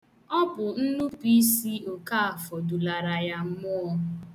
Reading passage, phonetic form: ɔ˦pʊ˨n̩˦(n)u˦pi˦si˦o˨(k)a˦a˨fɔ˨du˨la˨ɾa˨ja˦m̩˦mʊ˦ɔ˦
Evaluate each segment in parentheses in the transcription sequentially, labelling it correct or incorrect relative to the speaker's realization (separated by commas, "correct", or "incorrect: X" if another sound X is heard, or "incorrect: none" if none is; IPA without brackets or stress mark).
correct, correct